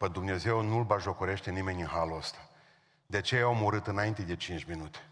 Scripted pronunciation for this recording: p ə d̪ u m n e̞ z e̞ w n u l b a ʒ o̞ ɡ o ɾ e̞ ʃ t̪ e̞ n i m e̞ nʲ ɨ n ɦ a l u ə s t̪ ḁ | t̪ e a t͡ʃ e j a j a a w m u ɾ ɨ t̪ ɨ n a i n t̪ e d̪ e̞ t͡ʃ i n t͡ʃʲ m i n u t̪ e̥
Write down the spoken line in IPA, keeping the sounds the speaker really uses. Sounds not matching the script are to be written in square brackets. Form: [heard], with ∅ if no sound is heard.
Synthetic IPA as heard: p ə d̪ u m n e̞ z e̞ w n u l b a ʒ o̞ [k] o ɾ e̞ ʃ t̪ e̞ n i m e̞ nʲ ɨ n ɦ a l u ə s t̪ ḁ | [d̪] e a t͡ʃ e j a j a a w m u ɾ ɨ t̪ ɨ n a i n t̪ e d̪ e̞ t͡ʃ i n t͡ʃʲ m i n u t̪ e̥